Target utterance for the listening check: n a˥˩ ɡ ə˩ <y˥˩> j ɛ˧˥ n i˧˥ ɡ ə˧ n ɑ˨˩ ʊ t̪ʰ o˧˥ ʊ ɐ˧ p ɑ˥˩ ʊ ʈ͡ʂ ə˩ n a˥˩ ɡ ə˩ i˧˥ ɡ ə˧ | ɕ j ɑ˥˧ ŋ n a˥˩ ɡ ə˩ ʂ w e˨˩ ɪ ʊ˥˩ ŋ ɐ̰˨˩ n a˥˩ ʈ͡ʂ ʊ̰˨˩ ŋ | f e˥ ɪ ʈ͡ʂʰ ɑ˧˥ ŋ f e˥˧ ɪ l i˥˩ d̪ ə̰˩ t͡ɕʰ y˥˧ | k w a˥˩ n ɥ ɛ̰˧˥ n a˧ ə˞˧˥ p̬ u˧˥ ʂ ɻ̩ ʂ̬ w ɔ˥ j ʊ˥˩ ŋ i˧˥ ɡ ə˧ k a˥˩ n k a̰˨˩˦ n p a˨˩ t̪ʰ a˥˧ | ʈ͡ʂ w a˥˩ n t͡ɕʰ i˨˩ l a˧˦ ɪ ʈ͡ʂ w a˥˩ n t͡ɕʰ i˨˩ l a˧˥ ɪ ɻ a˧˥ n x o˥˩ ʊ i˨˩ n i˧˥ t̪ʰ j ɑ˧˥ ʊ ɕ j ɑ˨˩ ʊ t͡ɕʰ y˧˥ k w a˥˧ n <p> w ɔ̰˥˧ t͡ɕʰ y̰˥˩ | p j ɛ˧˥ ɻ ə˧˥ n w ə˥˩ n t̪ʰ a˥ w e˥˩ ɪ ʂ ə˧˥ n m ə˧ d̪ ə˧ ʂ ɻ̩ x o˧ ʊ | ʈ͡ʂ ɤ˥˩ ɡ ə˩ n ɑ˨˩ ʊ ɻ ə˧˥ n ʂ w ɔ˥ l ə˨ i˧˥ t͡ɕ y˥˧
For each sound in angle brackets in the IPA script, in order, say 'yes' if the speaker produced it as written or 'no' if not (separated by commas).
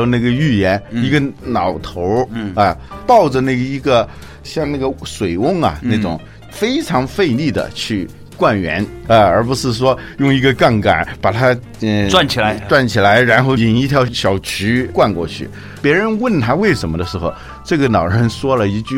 yes, no